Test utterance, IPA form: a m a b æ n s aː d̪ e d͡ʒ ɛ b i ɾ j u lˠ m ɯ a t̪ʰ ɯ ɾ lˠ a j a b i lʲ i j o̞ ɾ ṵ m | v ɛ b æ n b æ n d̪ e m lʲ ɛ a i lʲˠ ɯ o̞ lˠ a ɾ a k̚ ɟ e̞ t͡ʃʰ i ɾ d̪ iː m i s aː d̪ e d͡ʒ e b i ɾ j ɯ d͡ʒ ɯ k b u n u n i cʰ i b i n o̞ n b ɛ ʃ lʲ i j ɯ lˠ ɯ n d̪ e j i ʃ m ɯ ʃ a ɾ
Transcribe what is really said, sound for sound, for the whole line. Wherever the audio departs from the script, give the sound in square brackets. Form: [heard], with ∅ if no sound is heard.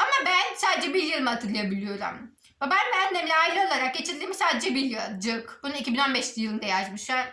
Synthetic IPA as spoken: a m a b æ n s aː d̪ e d͡ʒ ɛ b i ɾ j [ɯ] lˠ m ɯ a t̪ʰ ɯ ɾ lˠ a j a b i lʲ i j o̞ ɾ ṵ m | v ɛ b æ n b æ n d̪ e m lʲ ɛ a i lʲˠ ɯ o̞ lˠ a ɾ a k̚ ɟ e̞ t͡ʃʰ i ɾ d̪ iː m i s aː d̪ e d͡ʒ [ɛ] b i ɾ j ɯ d͡ʒ ɯ k b u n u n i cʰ i b i n o̞ n b ɛ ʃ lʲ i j ɯ lˠ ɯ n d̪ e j [a] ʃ m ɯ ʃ a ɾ